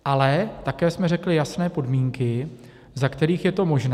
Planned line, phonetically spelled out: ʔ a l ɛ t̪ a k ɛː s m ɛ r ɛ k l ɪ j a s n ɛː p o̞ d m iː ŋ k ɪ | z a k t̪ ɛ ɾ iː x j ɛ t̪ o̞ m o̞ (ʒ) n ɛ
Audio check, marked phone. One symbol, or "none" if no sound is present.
ʒ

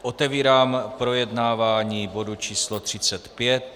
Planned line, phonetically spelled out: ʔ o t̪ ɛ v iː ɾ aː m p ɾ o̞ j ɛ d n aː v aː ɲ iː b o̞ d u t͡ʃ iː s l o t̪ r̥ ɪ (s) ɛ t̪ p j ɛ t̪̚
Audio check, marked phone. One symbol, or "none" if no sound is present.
t͡s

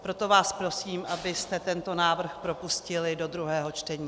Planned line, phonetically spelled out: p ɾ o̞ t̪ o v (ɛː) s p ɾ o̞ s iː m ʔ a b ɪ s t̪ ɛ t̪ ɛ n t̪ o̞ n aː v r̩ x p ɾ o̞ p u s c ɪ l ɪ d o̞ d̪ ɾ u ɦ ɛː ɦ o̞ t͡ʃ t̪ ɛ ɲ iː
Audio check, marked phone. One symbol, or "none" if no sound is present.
aː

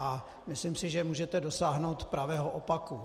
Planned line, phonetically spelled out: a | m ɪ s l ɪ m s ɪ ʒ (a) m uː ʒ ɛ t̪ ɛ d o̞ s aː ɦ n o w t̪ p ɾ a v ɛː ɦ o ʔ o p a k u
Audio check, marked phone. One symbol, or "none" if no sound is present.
ɛ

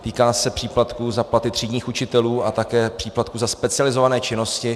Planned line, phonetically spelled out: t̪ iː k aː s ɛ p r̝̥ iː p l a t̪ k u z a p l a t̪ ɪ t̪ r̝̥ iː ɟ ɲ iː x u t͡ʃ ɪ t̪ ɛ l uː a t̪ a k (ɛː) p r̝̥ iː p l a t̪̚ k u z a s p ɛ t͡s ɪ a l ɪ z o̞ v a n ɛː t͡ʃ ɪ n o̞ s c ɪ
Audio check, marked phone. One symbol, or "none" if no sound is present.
ɛː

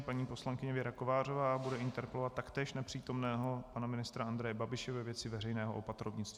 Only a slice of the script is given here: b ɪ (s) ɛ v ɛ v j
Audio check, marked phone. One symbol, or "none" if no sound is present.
ʃ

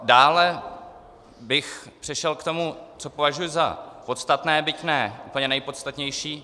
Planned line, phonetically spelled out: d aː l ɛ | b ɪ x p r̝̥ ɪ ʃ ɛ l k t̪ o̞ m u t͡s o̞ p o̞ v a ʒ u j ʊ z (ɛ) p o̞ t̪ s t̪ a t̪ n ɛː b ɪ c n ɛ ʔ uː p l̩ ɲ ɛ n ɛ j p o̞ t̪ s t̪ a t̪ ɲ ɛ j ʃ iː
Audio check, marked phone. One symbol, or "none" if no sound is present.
a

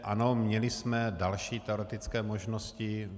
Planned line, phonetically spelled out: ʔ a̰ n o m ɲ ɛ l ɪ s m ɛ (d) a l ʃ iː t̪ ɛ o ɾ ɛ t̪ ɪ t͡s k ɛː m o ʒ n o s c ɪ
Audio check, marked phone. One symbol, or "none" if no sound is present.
d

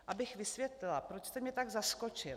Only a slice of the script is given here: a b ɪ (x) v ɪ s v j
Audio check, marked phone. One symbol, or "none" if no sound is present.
x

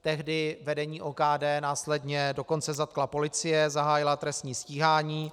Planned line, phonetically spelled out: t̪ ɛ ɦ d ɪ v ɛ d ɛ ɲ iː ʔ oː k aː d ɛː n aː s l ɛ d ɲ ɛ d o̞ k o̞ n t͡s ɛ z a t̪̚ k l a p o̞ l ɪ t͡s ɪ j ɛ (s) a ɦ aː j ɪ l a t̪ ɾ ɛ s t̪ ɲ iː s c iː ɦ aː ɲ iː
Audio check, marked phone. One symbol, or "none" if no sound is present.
z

